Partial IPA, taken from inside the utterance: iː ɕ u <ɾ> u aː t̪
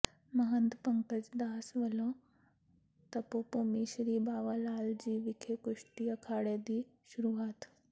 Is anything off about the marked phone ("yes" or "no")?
no